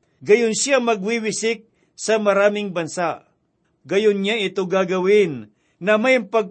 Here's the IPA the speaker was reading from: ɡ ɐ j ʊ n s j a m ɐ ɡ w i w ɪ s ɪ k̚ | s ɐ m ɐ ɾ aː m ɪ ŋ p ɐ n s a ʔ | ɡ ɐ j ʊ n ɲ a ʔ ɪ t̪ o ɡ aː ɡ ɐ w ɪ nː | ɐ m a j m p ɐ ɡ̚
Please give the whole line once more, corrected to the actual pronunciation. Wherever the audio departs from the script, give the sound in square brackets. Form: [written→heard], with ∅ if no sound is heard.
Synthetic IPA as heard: ɡ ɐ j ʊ n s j a m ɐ ɡ w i w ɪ s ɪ k̚ | s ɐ m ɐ ɾ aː m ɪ ŋ [p→b] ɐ n s a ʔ | ɡ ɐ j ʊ n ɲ a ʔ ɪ t̪ o ɡ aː ɡ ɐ w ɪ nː | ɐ m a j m p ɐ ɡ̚